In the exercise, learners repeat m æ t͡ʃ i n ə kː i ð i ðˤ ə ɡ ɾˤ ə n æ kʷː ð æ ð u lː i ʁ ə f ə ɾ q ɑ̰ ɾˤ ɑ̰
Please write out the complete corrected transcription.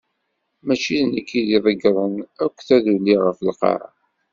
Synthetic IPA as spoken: m æ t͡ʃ i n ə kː i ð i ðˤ ə ɡ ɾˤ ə n æ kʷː θ æ ð u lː i ʁ ə f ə l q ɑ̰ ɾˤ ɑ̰